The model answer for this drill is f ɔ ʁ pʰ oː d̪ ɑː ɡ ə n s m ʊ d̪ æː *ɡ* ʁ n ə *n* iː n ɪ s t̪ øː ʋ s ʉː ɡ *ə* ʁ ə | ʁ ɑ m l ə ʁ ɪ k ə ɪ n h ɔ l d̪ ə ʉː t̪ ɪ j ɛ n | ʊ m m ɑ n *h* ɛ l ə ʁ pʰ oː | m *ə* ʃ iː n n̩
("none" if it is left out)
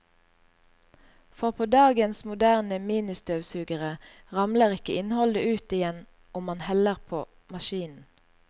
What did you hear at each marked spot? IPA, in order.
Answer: none, m, ə, h, ɑ

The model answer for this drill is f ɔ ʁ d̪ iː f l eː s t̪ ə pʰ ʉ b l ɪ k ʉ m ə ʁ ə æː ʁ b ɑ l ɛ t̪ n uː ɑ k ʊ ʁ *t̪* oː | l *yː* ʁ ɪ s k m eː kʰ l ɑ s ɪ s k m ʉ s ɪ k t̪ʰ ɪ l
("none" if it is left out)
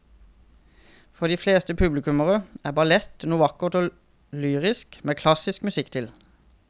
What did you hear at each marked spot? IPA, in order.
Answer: t̪, yː

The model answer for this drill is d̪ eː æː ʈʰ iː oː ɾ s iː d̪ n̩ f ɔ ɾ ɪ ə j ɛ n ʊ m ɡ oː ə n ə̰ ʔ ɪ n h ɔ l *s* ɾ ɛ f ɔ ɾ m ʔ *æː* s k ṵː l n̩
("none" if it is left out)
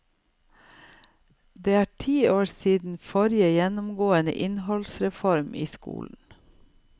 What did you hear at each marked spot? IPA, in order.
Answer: s, iː

